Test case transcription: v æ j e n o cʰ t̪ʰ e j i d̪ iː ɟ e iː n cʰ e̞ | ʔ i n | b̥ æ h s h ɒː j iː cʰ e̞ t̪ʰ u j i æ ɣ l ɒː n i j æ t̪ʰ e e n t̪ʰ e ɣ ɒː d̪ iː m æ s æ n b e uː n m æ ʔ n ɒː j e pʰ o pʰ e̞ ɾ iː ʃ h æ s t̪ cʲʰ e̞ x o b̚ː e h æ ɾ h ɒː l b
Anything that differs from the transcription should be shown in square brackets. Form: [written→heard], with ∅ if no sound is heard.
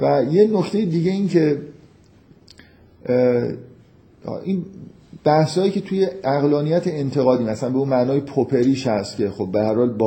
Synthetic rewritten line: v æ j e n o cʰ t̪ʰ e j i d̪ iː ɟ e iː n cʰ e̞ | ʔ i n | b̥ æ h s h ɒː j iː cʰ e̞ t̪ʰ u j [i→e] æ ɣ l ɒː n i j æ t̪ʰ e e n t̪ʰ e ɣ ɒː d̪ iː m æ s æ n b e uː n m æ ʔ n ɒː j e pʰ o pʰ e̞ ɾ iː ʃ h æ s t̪ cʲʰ e̞ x o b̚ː e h æ ɾ h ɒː l b